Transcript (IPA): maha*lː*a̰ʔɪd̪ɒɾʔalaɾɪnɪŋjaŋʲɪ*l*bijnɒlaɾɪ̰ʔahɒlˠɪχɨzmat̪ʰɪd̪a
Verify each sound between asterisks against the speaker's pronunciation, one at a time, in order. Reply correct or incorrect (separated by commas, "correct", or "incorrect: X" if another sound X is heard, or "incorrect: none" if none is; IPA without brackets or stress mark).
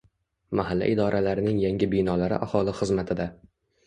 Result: correct, incorrect: none